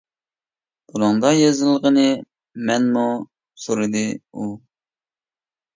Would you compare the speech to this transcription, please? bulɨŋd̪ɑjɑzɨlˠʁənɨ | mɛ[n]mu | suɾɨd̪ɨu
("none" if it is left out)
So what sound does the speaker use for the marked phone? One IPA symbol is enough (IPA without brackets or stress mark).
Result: n